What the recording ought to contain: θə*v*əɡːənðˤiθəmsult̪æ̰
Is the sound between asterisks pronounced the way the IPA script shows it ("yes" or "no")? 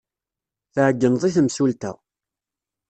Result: no